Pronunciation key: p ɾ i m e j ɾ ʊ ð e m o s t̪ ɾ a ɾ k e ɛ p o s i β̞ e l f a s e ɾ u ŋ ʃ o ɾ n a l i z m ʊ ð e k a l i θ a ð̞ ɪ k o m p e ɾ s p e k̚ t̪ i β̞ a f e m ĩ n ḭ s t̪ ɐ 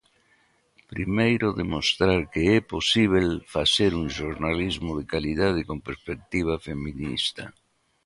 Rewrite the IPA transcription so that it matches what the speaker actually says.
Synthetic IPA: p ɾ i m e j ɾ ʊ ð e m o s t̪ ɾ a ɾ k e ɛ p o s i β̞ e l f a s e ɾ u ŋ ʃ o ɾ n a l i z m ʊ ð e k a l i ð a ð̞ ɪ k o m p e ɾ s p e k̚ t̪ i β̞ a f e m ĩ n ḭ s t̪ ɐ

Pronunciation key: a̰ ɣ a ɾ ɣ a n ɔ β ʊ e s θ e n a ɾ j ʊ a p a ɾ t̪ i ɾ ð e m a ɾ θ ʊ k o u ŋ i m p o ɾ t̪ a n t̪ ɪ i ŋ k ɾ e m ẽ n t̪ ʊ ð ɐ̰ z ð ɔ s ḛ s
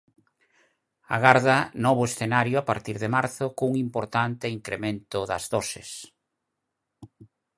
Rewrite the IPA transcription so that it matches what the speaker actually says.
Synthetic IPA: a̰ ɣ a ɾ ð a n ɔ β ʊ e s θ e n a ɾ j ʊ a p a ɾ t̪ i ɾ ð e m a ɾ θ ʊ k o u ŋ i m p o ɾ t̪ a n t̪ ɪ i ŋ k ɾ e m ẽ n t̪ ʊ ð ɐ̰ z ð ɔ s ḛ s

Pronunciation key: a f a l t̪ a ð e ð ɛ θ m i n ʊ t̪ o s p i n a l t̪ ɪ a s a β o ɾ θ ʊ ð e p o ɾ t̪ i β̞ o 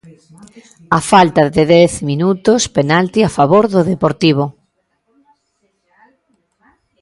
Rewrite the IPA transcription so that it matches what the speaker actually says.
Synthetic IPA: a f a l t̪ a ð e ð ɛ θ m i n u t̪ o s p e n a l t̪ i a f a β o ɾ ð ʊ ð e p o ɾ t̪ i β̞ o

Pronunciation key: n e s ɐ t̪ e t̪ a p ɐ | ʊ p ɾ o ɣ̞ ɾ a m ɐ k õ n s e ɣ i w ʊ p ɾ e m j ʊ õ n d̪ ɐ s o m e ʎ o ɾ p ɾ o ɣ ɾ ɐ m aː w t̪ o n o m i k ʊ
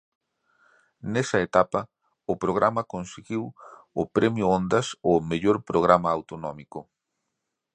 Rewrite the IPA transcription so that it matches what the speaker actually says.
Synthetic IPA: n e s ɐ e t̪ a p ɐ | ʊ p ɾ o ɣ̞ ɾ a m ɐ k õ n s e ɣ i w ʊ p ɾ e m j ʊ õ n d̪ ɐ s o m e ʎ o ɾ p ɾ o ɣ ɾ a m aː w t̪ o n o m i k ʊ

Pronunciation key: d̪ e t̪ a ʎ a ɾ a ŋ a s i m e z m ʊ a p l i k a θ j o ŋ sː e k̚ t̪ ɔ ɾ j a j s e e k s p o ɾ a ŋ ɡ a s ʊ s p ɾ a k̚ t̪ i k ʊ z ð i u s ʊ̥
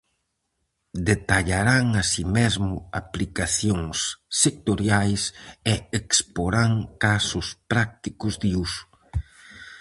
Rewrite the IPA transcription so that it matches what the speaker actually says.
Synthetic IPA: d̪ e t̪ a ʎ a ɾ a ŋ a s i m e z m ʊ a p l i k a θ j o ŋ sː e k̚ t̪ o ɾ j a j s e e k s p o ɾ a ŋ k a s ʊ s p ɾ a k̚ t̪ i k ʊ z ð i u s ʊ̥

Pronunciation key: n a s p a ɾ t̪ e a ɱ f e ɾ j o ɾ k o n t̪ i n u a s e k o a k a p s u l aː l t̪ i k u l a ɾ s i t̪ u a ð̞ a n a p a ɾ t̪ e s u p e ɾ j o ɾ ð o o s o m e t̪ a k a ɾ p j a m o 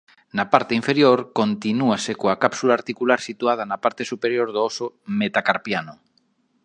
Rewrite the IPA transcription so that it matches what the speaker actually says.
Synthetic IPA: n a p a ɾ t̪ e i ɱ f e ɾ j o ɾ k o n t̪ i n u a s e k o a k a p s u l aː ɾ t̪ i k u l a ɾ s i t̪ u a ð̞ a n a p a ɾ t̪ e s u p e ɾ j o ɾ ð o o s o m e t̪ a k a ɾ p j a n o

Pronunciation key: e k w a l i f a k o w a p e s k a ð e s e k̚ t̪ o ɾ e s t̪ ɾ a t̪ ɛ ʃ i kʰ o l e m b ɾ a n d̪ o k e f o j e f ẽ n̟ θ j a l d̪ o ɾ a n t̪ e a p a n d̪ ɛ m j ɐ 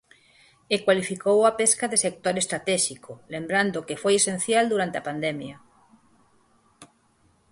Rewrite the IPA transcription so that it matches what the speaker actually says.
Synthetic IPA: e k w a l i f i k o w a p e s k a ð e s e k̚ t̪ o ɾ e s t̪ ɾ a t̪ ɛ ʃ i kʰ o l e m b ɾ a n d̪ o k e f o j e s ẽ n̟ θ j a l d̪ u ɾ a n t̪ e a p a n d̪ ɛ m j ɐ

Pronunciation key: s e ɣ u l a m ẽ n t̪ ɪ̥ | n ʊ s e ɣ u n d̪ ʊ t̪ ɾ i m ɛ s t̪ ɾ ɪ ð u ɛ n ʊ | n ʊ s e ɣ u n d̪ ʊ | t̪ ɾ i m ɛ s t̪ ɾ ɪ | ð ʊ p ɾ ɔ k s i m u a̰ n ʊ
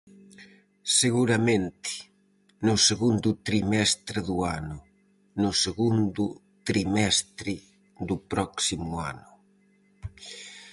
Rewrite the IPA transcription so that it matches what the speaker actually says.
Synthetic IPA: s e ɣ u ɾ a m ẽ n t̪ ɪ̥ | n ʊ s e ɣ u n d̪ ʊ t̪ ɾ i m ɛ s t̪ ɾ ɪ ð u a n ʊ | n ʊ s e ɣ u n d̪ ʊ | t̪ ɾ i m ɛ s t̪ ɾ ɪ | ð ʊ p ɾ ɔ k s i m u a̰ n ʊ

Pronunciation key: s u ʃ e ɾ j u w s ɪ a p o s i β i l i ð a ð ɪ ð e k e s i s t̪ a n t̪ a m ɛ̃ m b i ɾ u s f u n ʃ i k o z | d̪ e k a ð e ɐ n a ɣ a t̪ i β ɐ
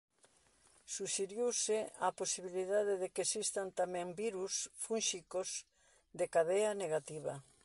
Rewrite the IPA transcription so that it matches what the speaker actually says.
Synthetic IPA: s u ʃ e ɾ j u w s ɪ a p o s i β i l i ð a ð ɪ ð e k e s i s t̪ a n t̪ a m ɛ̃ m b i ɾ u s f u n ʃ i k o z | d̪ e k a ð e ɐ n e ɣ a t̪ i β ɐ

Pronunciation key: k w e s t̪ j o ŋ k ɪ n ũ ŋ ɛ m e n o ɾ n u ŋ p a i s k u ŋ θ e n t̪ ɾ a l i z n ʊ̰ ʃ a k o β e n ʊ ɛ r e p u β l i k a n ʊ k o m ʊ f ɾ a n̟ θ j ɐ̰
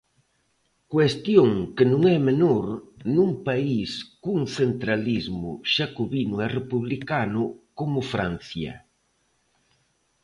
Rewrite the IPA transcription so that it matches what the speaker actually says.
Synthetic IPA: k w e s t̪ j o ŋ k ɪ n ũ ŋ ɛ m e n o ɾ n u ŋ p a i s k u ŋ θ e n t̪ ɾ a l i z m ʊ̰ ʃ a k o β i n ʊ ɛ r e p u β l i k a n ʊ k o m ʊ f ɾ a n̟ θ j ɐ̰

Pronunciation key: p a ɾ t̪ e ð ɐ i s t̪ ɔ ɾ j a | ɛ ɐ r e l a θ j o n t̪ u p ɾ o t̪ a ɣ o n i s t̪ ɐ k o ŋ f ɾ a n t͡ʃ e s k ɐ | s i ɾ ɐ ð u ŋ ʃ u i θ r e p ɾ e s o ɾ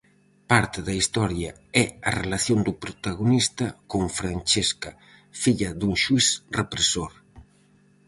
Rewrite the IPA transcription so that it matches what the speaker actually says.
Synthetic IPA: p a ɾ t̪ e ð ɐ i s t̪ ɔ ɾ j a | ɛ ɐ r e l a θ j o n d̪ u p ɾ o t̪ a ɣ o n i s t̪ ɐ k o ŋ f ɾ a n t͡ʃ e s k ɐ | f i ʎ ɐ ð u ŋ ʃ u i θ r e p ɾ e s o ɾ

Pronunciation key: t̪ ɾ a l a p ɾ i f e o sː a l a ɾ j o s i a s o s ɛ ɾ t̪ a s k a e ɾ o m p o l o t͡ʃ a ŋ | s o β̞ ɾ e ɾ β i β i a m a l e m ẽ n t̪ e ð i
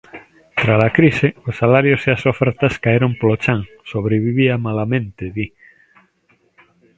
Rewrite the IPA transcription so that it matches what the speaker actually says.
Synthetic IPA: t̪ ɾ a l a k ɾ i s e o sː a l a ɾ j o s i a s o f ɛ ɾ t̪ a s k a e ɾ o m p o l o t͡ʃ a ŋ | s o β̞ ɾ e β i β i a m a l a m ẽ n t̪ e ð i

